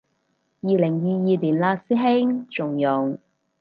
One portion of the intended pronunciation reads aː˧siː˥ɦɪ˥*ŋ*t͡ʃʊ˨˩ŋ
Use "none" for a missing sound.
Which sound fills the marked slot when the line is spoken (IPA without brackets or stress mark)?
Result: ŋ